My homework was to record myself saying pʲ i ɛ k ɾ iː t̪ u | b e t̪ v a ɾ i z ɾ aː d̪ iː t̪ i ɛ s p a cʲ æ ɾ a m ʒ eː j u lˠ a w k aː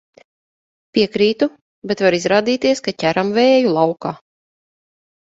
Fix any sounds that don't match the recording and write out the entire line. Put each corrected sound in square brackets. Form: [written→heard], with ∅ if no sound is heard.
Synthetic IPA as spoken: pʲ i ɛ k ɾ iː t̪ u | b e t̪ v a ɾ i z ɾ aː d̪ iː t̪ i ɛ s [p→k] a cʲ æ ɾ a m [ʒ→v] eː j u lˠ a w k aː

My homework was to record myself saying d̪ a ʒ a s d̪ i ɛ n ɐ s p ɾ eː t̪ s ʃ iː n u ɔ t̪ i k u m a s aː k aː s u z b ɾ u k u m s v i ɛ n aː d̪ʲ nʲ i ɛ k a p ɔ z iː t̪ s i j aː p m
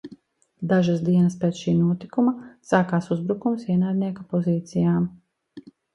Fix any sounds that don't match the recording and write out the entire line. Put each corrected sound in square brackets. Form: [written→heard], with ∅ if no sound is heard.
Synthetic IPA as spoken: d̪ a ʒ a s d̪ i ɛ n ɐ s p ɾ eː t̪ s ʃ iː n u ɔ t̪ i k u m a s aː k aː s u z b ɾ u k u m s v i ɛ n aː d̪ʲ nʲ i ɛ k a p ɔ z iː t̪ s i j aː [p→∅] m

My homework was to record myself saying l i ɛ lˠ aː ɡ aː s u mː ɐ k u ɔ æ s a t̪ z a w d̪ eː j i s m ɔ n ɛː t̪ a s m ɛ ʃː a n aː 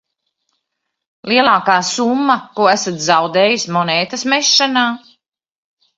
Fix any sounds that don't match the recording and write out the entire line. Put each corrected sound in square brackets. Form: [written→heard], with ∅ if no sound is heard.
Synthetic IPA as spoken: l i ɛ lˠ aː [ɡ→k] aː s u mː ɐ k u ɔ æ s a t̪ z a w d̪ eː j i s m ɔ n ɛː t̪ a s m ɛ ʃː a n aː

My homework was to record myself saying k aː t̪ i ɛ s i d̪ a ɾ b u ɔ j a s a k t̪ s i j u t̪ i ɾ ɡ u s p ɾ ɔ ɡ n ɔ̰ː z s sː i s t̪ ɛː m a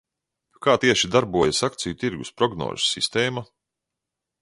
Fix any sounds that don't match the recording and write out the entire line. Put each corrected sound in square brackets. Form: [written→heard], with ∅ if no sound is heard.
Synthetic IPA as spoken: k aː t̪ i ɛ [s→ʃ] i d̪ a ɾ b u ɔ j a s a k t̪ s i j u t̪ i ɾ ɡ u s p ɾ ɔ ɡ n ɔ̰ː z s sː i s t̪ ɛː m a

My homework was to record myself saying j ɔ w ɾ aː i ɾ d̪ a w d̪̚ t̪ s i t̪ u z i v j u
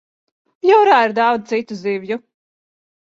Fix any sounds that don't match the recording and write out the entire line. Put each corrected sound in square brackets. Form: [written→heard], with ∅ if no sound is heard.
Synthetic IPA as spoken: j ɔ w ɾ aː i ɾ d̪ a w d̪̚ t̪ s i t̪ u z i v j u

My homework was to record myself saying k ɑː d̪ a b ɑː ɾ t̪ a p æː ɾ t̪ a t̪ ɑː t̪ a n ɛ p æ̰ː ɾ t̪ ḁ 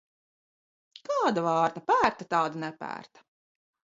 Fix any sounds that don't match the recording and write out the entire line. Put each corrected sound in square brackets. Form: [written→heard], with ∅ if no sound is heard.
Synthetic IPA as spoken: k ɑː d̪ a [b→v] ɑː ɾ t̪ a p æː ɾ t̪ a t̪ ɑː [t̪→d̪] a n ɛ p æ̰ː ɾ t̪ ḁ

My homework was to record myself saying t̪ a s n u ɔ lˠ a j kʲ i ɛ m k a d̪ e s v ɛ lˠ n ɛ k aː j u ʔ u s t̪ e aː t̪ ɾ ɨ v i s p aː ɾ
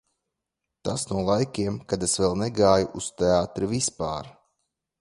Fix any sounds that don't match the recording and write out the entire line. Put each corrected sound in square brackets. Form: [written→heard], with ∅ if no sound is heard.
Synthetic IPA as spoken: t̪ a s n u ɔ lˠ a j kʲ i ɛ m k a d̪ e s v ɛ lˠ n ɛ [k→ɡ] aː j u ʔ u s t̪ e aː t̪ ɾ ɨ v i s p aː ɾ

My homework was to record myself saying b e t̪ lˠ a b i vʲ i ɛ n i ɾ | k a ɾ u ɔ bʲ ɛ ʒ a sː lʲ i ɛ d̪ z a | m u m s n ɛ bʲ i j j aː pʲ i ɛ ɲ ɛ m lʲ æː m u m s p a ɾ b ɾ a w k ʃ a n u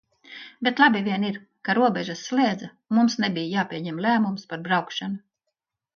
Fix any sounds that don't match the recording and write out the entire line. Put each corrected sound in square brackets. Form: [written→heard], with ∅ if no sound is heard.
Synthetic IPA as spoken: b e t̪ lˠ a b i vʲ i ɛ n i ɾ | k a ɾ u ɔ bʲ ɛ ʒ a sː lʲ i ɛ d̪ z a | m u m s n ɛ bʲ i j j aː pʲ i ɛ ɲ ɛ m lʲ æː m u m s p a ɾ b ɾ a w k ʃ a n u

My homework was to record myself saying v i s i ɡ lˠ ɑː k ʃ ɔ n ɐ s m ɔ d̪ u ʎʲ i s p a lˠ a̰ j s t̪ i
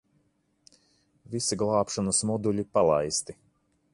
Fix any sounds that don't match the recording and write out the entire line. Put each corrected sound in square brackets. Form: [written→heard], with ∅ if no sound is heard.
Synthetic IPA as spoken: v i s i ɡ lˠ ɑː [k→p] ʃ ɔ n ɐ s m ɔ d̪ u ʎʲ i [s→∅] p a lˠ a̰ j s t̪ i

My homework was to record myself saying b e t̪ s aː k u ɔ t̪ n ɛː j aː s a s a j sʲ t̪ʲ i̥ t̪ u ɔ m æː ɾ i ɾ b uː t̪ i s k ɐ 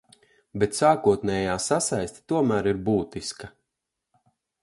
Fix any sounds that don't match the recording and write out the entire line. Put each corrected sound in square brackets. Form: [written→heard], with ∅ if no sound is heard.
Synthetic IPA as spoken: b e t̪ s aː k u ɔ t̪ n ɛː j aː s a s a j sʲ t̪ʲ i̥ t̪ u ɔ m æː ɾ i ɾ b uː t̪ i s k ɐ

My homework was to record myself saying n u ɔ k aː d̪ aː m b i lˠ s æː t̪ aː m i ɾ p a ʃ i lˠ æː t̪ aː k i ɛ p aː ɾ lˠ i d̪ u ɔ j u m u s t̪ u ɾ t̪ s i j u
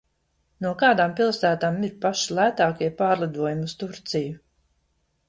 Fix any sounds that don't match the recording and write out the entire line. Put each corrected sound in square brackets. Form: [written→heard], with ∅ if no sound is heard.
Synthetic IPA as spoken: n u ɔ k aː d̪ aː m [b→p] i lˠ s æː t̪ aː m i ɾ p a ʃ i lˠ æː t̪ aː k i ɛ p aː ɾ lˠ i d̪ u ɔ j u m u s t̪ u ɾ t̪ s i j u

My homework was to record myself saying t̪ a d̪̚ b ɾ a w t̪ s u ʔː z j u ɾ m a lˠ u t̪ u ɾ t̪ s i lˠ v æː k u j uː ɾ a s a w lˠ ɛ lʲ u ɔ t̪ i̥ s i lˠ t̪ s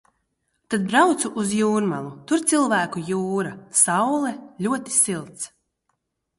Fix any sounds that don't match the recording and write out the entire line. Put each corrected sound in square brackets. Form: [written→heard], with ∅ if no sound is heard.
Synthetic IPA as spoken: t̪ a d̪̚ b ɾ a w t̪ s u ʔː z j [u→uː] ɾ m a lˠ u t̪ u ɾ t̪ s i lˠ v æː k u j uː ɾ a s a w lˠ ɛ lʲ u ɔ t̪ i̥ s i lˠ t̪ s

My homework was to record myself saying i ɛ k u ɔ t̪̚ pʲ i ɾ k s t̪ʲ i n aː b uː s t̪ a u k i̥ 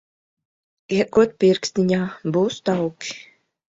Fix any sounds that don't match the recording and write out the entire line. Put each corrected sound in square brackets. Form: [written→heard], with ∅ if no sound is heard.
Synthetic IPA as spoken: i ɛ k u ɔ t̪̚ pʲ i ɾ k s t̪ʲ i [n→ɲ] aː b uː s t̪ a [u→w] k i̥

